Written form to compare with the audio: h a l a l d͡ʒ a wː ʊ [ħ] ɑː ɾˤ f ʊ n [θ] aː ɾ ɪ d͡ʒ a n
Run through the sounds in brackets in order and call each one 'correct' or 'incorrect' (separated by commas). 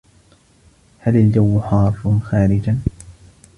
correct, incorrect